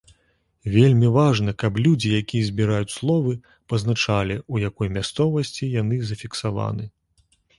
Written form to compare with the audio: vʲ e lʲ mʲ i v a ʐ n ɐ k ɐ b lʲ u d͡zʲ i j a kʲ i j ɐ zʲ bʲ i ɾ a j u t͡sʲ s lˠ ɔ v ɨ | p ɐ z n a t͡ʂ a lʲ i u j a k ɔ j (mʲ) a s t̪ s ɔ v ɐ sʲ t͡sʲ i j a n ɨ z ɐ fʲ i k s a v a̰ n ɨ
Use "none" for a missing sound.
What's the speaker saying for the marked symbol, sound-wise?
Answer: mʲ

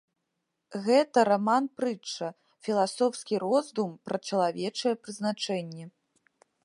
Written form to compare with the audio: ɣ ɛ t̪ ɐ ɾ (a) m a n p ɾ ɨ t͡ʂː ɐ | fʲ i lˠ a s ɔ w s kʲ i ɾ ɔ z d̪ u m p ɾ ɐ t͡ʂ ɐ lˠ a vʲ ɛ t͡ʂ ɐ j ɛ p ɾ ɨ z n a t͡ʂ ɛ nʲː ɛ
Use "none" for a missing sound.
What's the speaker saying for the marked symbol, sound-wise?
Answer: a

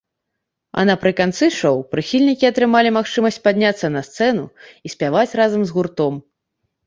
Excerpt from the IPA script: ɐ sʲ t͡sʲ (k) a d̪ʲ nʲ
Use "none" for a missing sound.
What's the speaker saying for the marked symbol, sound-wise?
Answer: p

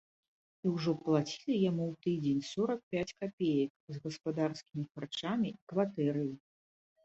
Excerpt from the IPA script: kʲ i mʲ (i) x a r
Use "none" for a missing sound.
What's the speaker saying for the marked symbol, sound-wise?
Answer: i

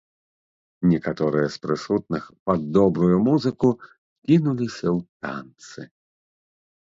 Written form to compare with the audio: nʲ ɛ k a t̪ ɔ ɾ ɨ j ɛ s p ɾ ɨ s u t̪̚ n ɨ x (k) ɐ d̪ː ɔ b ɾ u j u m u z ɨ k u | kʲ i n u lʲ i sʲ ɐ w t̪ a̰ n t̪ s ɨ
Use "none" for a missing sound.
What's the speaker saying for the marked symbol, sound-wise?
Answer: p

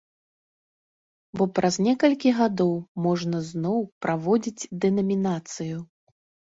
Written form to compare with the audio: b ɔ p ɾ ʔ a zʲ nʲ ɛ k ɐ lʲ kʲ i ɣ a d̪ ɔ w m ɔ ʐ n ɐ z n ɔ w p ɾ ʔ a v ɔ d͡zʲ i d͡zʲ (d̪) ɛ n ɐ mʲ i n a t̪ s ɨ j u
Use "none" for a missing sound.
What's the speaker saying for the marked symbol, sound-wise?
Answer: d̪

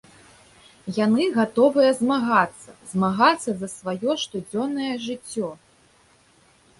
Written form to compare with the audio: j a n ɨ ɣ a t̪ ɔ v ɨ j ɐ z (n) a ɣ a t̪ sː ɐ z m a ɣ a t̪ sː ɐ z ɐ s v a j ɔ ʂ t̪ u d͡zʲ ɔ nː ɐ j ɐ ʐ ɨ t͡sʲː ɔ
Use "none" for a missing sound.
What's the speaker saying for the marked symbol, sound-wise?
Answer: m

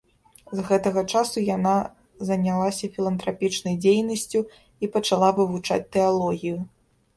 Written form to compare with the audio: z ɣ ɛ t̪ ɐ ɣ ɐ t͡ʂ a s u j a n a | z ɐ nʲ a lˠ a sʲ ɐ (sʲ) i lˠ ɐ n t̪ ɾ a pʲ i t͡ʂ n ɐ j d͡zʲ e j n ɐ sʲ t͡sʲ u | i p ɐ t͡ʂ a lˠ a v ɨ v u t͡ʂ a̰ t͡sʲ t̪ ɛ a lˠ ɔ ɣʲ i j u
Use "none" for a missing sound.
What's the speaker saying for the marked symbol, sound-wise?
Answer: fʲ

